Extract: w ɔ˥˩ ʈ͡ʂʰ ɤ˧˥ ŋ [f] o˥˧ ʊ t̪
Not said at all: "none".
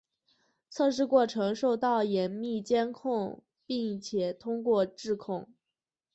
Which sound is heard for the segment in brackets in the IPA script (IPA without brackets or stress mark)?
ʂ